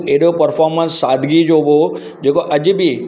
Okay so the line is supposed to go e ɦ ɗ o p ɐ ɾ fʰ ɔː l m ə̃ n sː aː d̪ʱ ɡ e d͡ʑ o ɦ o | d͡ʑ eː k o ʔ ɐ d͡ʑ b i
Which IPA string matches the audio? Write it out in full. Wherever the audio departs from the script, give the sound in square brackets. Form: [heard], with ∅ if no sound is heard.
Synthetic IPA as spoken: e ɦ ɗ o p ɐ ɾ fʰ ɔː [ɾ] m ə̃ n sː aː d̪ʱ ɡ [i] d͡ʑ o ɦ o | d͡ʑ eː k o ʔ ɐ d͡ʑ b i

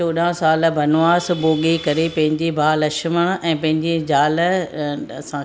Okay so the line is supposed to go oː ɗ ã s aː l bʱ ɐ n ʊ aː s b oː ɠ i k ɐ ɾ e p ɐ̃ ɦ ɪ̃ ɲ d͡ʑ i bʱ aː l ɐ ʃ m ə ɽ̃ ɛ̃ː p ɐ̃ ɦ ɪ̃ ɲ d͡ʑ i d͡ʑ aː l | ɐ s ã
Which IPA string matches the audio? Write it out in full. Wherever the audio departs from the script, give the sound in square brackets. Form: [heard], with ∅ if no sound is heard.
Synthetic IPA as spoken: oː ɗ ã s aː l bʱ ɐ n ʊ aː s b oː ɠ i k ɐ ɾ e p ɐ̃ ɦ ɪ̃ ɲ d͡ʑ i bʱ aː l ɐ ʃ m ə ɽ̃ ɛ̃ː p ɐ̃ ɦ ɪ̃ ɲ d͡ʑ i d͡ʑ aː l | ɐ s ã

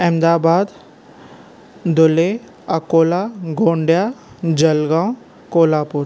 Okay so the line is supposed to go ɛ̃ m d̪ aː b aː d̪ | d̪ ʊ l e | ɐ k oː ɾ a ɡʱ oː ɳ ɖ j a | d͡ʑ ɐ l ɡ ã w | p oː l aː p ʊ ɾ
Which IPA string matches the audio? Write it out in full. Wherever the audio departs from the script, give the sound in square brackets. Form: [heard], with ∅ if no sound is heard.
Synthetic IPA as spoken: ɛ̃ m d̪ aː b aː d̪ | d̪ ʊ l e | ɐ k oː [l] a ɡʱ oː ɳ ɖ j a | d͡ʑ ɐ l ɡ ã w | [k] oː l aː p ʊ ɾ

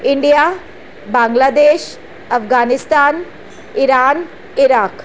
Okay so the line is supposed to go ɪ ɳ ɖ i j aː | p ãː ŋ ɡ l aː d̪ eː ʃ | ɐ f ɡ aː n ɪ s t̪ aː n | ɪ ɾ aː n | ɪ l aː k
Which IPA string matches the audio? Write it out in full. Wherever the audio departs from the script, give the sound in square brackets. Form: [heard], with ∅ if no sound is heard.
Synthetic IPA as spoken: ɪ ɳ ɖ i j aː | [b] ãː ŋ ɡ l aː d̪ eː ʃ | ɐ f ɡ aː n ɪ s t̪ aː n | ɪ ɾ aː n | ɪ [ɾ] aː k

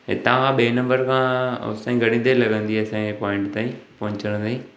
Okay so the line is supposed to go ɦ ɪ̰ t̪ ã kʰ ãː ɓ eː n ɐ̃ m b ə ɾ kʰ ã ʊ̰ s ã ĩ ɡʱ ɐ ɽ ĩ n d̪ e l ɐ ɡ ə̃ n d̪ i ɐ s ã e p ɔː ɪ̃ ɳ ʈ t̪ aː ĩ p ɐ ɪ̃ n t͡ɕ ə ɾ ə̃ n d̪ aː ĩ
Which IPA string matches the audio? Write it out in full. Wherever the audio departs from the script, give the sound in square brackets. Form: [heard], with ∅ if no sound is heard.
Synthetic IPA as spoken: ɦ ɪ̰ t̪ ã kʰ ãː ɓ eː n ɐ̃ m b ə ɾ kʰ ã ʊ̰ s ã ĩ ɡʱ ɐ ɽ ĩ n d̪ e l ɐ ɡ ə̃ n d̪ i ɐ s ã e p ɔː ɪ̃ ɳ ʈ t̪ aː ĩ p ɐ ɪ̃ [ɲ] t͡ɕ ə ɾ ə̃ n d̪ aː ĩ

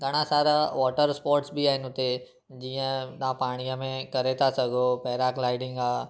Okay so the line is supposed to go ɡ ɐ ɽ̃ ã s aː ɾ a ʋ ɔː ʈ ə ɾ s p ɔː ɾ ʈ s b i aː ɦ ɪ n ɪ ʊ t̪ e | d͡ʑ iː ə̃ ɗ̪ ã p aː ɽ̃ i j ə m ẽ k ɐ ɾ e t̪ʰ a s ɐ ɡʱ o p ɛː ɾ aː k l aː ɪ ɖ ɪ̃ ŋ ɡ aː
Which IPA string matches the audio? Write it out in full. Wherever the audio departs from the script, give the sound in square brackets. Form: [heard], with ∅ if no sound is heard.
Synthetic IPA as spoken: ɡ ɐ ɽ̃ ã s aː ɾ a ʋ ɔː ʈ ə ɾ s p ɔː ɾ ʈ s b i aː ɦ ɪ n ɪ ʊ t̪ e | d͡ʑ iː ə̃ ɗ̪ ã p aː ɽ̃ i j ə m ẽ k ɐ ɾ e t̪ʰ a s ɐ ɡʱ o p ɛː ɾ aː k l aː ɪ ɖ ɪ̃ ŋ ɡ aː

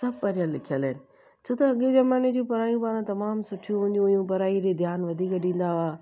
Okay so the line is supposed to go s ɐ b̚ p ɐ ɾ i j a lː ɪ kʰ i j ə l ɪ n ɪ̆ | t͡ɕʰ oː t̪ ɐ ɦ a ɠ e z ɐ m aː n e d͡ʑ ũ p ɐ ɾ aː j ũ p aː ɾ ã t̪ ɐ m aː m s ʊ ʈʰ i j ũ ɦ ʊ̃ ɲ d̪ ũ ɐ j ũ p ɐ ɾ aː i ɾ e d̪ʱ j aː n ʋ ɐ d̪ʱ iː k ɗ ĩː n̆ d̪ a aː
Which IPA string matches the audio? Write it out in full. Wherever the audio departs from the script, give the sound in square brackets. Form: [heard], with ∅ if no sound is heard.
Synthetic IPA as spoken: s ɐ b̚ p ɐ ɾ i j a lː ɪ kʰ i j ə l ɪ n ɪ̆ | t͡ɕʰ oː t̪ ɐ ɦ [ɐ] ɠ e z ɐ m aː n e d͡ʑ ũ p ɐ ɾ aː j ũ p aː ɾ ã t̪ ɐ m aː m s ʊ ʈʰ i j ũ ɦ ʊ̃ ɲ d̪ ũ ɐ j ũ p ɐ ɾ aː i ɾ e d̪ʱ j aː n ʋ ɐ d̪ʱ iː k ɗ ĩː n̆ d̪ a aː

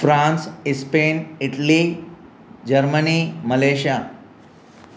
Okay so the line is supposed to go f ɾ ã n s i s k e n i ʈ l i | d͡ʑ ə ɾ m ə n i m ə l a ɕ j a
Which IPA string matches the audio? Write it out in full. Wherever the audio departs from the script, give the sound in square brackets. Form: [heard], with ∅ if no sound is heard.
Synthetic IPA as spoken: f ɾ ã n s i s [p] e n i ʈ l i | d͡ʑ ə ɾ m ə n i m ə l [e] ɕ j a

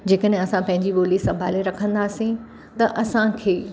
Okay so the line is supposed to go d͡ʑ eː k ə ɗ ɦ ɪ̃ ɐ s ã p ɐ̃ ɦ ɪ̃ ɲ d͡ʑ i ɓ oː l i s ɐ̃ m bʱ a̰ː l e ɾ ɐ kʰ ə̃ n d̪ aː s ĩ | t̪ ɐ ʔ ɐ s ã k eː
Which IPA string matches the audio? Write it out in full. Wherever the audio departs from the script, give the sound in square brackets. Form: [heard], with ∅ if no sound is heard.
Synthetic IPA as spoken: d͡ʑ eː k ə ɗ ɦ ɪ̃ ɐ s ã p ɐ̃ ɦ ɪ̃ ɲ d͡ʑ i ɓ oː l i s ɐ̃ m bʱ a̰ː l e ɾ ɐ kʰ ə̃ n d̪ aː s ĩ | t̪ ɐ ʔ ɐ s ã [kʰ] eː

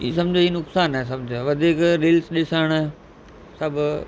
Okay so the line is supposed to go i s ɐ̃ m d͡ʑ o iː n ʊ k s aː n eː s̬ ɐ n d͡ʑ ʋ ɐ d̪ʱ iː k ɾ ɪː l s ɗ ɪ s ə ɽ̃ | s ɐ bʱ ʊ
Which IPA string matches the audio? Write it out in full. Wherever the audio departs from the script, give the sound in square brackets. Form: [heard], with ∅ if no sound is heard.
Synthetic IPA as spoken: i s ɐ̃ m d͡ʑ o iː n ʊ k s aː n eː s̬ ɐ [m] d͡ʑ ʋ ɐ d̪ʱ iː k ɾ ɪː l s ɗ ɪ s ə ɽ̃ | s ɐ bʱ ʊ

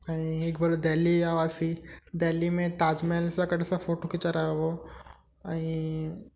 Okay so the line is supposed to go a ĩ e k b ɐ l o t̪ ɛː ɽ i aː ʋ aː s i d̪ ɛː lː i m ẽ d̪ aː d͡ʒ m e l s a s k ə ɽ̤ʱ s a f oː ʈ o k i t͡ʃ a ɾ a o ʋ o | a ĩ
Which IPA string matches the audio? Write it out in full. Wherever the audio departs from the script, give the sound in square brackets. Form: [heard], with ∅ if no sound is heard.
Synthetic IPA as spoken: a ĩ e k b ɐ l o [d̪] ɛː [l] i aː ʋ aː s i d̪ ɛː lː i m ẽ [t̪] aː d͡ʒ m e l s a [∅] k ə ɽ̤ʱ s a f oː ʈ o k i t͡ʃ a ɾ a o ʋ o | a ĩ

